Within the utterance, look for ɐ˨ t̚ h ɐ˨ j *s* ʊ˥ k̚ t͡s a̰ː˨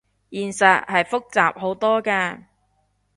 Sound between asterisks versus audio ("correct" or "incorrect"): incorrect